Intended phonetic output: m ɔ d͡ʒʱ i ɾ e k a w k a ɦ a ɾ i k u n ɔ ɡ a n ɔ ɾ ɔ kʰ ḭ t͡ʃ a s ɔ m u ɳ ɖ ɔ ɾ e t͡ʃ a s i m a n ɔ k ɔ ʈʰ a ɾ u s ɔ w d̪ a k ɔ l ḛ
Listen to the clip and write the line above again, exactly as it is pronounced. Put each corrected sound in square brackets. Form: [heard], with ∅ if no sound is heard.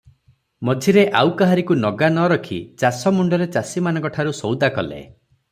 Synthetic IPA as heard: m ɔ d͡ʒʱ i ɾ e [ʔ] a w k a ɦ a ɾ i k u n ɔ ɡ a n ɔ ɾ ɔ kʰ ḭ t͡ʃ a s ɔ m u ɳ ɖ ɔ ɾ e t͡ʃ a s i m a n ɔ k ɔ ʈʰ a ɾ u s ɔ w d̪ a k ɔ l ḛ